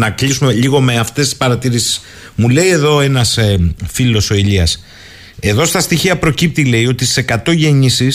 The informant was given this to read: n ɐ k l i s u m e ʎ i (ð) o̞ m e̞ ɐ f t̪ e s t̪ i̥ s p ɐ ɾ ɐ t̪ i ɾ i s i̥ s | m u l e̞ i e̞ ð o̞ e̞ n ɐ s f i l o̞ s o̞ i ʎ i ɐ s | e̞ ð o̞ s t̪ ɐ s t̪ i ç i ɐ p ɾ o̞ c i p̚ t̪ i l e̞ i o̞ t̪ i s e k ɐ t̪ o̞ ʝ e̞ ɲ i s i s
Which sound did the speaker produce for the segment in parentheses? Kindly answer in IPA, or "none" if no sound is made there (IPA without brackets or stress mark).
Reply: ɣ